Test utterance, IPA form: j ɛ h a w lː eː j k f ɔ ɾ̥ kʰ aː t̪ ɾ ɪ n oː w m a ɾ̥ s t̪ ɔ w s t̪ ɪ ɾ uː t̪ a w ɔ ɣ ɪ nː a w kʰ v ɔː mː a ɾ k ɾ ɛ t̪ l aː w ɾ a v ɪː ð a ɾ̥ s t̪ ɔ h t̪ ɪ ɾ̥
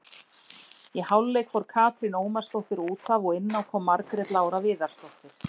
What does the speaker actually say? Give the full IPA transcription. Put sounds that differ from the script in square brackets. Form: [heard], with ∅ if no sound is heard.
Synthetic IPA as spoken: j ɛ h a w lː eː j k f ɔ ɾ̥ kʰ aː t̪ ɾ ɪ n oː w m a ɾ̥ s t̪ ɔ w [h] t̪ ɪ ɾ uː t̪ a [v] ɔ ɣ ɪ nː a w kʰ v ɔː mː a ɾ k ɾ ɛ t̪ l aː w ɾ a v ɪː ð a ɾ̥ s t̪ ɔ h t̪ ɪ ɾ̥